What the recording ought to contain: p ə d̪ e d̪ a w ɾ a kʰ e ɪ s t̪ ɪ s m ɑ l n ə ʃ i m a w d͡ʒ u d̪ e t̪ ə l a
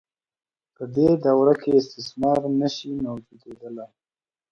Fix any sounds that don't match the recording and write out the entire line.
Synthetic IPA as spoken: p ə d̪ e d̪ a w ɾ a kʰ e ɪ s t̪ ɪ s m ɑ ɾ n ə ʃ i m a w d͡ʒ u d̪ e d̪ ə l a